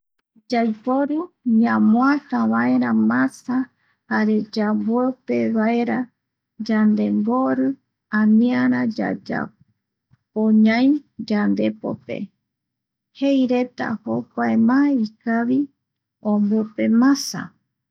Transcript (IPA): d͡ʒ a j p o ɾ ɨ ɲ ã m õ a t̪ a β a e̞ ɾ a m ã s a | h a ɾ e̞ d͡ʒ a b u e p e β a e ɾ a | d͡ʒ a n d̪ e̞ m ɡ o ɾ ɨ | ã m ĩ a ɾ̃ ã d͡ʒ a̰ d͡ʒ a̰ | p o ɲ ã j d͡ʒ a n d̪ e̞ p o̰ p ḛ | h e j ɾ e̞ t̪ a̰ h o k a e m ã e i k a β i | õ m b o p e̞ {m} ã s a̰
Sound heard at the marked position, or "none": m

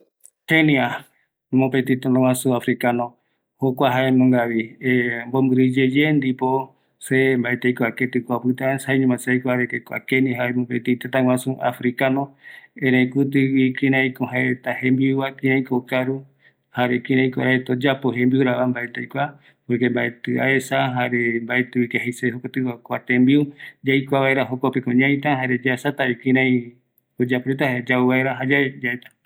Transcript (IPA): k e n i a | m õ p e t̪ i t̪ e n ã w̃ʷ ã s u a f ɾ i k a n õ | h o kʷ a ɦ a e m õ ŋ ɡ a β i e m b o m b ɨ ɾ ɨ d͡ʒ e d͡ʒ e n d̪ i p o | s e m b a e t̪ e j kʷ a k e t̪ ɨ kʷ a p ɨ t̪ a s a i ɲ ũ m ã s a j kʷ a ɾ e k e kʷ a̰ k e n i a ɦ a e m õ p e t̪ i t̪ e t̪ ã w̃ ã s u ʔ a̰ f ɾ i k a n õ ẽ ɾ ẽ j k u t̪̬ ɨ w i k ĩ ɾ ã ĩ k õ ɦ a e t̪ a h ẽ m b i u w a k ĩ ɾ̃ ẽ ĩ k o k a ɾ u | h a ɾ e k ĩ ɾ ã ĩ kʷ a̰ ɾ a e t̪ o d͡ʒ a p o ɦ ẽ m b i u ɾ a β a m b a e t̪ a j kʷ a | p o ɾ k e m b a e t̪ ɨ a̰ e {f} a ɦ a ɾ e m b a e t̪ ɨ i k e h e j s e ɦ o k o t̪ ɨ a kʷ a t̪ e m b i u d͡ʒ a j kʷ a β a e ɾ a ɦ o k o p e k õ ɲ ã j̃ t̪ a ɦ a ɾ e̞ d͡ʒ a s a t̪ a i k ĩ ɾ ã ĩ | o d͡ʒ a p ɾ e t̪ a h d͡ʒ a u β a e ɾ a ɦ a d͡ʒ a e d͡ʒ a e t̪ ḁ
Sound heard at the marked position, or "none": s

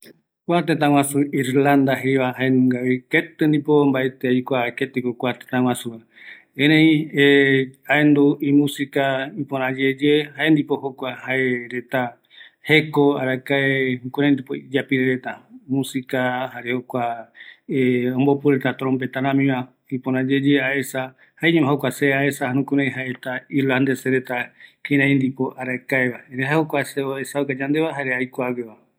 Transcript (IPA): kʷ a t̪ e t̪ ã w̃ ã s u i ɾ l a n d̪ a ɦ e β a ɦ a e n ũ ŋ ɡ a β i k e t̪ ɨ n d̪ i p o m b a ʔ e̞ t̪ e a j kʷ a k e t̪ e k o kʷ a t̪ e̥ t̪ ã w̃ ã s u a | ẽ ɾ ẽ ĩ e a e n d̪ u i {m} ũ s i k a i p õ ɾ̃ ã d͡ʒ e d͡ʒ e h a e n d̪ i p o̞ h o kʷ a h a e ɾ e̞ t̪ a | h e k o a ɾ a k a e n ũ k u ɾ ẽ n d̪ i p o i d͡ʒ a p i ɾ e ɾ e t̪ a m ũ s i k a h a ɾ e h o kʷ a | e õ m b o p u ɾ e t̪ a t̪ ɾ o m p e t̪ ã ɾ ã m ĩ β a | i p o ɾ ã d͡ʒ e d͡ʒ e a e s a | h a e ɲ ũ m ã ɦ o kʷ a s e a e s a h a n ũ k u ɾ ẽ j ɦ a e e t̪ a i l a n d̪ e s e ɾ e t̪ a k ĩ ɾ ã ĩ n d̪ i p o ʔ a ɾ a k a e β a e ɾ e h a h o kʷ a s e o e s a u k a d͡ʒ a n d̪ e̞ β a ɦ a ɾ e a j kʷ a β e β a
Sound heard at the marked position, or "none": m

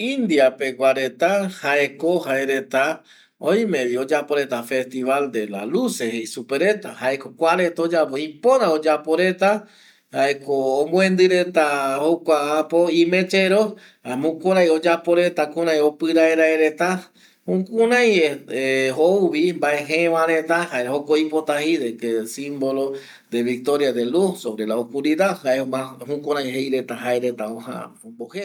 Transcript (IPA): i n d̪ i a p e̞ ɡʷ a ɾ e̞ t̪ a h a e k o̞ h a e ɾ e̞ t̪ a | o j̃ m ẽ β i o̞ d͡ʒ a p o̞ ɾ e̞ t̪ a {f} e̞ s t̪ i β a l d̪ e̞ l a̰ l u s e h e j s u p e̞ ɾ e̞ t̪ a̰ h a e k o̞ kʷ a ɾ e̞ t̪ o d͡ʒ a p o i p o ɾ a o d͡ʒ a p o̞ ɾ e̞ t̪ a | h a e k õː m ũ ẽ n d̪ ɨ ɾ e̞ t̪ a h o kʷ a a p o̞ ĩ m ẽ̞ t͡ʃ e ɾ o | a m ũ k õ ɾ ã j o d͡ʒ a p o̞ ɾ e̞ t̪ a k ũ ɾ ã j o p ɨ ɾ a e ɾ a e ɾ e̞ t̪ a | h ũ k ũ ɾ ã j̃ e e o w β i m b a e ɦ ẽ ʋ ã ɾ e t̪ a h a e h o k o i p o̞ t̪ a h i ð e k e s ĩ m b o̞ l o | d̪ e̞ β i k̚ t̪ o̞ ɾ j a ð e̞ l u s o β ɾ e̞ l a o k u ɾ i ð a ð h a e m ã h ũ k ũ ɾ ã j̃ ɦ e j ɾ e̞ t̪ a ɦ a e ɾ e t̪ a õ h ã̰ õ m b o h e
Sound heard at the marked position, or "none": f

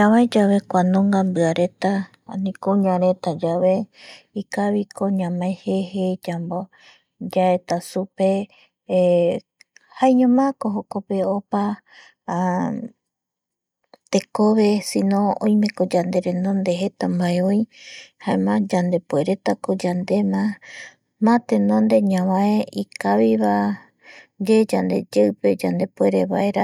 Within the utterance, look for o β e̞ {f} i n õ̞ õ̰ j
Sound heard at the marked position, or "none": s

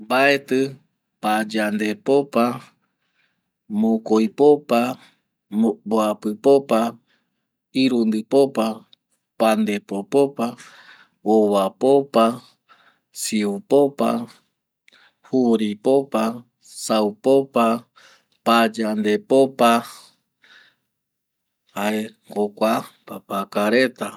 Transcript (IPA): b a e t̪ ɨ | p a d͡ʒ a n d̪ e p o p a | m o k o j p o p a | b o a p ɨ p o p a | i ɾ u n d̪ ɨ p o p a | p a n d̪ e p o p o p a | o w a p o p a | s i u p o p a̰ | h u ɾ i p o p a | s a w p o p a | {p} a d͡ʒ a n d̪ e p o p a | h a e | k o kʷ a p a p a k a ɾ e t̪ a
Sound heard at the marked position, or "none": p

